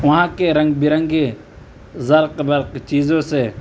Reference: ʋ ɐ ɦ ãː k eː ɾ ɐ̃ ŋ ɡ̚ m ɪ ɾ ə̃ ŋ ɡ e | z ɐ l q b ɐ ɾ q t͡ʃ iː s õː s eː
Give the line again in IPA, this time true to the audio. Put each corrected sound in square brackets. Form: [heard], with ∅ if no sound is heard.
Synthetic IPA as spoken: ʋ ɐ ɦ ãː k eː ɾ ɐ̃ ŋ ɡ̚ [b] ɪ ɾ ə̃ ŋ ɡ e | z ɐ [ɾ] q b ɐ ɾ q t͡ʃ iː [z] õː s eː